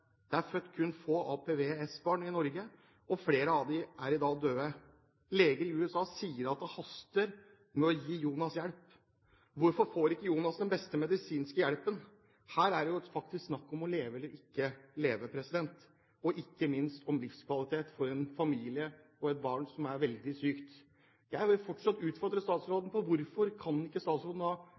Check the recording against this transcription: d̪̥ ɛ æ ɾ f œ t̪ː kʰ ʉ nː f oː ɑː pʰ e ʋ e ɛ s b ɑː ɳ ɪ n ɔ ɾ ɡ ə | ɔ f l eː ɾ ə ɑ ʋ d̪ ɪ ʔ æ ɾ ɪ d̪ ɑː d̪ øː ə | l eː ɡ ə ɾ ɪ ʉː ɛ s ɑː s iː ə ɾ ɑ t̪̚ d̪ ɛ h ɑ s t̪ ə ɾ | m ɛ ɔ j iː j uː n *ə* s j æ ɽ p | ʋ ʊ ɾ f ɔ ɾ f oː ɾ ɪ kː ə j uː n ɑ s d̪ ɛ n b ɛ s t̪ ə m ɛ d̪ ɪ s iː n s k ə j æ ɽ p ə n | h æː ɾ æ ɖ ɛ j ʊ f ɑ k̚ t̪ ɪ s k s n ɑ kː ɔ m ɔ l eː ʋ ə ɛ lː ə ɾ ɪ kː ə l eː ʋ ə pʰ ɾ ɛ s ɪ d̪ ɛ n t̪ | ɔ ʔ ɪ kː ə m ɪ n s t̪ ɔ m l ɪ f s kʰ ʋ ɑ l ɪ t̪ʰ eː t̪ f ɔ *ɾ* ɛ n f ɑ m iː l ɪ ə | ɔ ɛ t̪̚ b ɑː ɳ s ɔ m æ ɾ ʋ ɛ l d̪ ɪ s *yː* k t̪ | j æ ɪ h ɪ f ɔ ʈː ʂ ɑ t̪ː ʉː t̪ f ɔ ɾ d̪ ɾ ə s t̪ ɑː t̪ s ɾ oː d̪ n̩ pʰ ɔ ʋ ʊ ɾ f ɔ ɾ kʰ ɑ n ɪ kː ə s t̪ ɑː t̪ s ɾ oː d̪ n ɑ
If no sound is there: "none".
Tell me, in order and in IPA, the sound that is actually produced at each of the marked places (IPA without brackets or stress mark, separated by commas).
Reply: ɑ, ɾ, yː